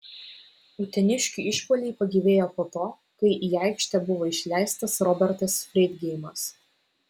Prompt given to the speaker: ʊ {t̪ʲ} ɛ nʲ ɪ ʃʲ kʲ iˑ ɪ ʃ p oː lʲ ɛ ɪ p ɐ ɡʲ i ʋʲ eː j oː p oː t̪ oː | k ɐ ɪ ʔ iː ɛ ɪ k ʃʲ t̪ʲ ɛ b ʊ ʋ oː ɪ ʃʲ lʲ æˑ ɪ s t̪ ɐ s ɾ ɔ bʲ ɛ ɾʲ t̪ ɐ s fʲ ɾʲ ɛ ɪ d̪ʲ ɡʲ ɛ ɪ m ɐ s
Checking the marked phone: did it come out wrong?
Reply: no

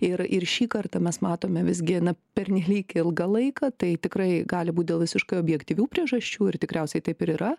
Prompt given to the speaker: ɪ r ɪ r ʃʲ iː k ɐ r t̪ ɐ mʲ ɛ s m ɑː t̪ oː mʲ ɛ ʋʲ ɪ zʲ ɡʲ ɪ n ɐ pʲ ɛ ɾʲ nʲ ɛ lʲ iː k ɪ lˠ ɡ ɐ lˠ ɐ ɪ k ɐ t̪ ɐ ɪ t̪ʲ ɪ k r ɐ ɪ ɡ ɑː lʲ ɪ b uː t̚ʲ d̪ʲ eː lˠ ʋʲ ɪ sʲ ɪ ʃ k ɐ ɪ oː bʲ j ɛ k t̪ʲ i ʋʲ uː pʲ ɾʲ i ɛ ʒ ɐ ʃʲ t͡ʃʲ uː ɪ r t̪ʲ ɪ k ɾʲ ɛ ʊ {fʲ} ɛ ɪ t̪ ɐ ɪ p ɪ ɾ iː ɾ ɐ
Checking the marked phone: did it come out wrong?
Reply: yes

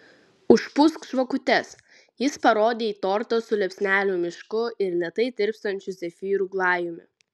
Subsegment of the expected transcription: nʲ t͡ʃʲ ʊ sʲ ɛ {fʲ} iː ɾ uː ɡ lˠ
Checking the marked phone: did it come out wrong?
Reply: no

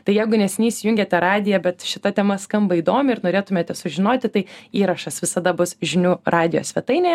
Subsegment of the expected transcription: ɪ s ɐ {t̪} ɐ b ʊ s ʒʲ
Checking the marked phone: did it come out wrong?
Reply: yes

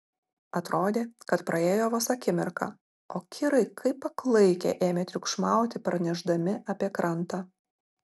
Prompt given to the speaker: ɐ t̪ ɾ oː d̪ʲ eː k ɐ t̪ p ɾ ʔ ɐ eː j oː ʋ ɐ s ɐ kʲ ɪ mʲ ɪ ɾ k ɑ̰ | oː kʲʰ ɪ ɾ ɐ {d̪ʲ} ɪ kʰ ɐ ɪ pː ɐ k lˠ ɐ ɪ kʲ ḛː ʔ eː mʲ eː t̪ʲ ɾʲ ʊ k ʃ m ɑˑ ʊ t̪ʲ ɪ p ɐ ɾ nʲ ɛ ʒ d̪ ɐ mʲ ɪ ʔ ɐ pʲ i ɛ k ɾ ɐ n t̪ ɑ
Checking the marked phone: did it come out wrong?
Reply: yes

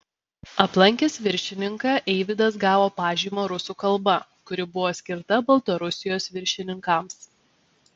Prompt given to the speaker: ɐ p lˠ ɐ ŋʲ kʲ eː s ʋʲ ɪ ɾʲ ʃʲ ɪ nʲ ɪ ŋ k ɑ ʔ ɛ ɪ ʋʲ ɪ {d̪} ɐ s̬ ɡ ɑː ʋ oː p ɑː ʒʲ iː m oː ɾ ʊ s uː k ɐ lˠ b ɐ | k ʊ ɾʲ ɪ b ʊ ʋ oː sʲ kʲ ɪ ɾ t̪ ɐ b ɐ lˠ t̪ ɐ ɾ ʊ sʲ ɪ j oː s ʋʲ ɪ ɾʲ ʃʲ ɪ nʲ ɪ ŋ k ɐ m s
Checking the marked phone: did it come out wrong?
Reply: no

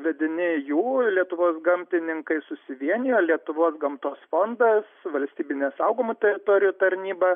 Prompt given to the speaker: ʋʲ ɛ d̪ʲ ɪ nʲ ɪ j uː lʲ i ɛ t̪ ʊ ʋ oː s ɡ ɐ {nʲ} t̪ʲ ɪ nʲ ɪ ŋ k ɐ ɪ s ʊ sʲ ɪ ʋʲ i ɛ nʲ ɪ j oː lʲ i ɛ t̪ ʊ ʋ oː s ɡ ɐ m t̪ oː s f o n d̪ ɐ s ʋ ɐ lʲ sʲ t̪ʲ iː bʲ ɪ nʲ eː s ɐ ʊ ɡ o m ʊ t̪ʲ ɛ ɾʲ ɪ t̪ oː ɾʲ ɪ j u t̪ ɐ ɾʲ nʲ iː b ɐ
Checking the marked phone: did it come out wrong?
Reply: yes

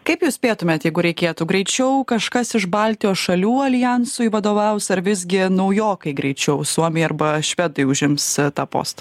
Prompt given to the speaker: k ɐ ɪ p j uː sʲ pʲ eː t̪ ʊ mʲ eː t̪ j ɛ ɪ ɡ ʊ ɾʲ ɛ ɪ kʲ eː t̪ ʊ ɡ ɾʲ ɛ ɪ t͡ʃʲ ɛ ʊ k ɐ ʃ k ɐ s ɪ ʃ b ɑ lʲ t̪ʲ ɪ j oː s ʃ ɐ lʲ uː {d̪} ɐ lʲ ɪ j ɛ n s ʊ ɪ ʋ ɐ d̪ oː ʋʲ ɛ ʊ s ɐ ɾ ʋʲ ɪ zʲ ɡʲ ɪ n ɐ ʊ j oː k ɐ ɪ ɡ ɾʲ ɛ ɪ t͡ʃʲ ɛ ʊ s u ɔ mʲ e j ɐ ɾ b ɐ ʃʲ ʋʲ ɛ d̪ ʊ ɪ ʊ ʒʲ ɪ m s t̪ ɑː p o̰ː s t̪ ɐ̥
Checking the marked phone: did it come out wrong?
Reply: yes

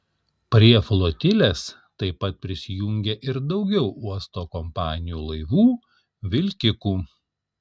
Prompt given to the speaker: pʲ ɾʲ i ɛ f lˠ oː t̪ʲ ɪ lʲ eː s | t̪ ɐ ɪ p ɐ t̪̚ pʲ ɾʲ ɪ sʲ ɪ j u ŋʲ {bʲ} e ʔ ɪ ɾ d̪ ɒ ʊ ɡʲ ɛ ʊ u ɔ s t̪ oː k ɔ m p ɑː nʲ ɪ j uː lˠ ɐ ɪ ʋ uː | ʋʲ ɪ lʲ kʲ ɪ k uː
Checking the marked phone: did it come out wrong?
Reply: yes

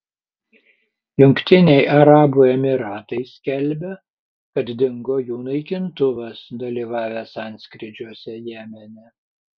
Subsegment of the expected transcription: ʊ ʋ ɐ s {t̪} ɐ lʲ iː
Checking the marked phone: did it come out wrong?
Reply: yes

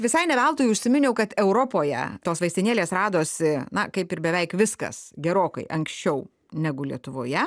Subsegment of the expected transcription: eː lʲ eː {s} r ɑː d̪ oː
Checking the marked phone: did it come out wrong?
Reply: no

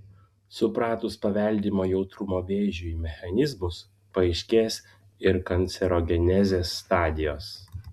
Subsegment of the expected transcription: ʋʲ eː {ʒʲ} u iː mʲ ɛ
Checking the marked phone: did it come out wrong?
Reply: no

